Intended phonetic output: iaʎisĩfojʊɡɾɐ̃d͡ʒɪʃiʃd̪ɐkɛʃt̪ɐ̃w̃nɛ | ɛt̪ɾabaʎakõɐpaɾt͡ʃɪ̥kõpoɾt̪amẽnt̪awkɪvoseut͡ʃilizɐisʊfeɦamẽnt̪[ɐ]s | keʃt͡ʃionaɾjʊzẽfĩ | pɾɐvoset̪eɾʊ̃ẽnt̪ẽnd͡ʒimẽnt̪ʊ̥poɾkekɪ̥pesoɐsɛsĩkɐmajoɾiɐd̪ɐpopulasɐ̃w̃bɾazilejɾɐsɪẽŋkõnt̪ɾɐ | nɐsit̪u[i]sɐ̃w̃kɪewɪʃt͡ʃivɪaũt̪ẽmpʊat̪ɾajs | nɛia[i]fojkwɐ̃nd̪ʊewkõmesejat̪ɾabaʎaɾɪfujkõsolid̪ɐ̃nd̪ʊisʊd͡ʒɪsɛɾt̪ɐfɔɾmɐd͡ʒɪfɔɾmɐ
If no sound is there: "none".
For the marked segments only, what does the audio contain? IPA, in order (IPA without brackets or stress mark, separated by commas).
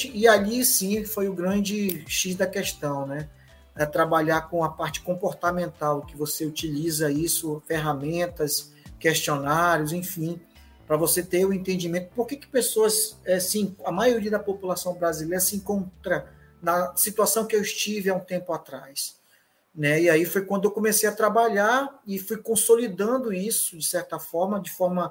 ɐ, a, i